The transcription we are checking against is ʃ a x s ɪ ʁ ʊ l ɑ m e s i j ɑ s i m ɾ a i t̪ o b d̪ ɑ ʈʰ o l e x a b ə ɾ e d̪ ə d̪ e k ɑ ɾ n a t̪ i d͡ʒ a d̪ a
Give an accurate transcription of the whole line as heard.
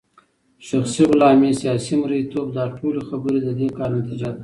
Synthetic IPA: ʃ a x s i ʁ ʊ l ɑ m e s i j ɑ s i m ɾ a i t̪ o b d̪ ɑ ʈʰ o l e x a b ə ɾ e d̪ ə d̪ e k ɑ ɾ n a t̪ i d͡ʒ a d̪ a